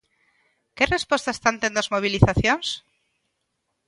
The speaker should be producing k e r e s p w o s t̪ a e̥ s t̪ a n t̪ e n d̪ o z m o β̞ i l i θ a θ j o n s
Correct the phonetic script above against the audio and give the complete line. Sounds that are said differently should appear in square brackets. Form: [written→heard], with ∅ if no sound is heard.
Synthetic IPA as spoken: k e r e s p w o s t̪ a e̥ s t̪ a n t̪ e n d̪ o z m o β̞ i l i θ a θ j o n s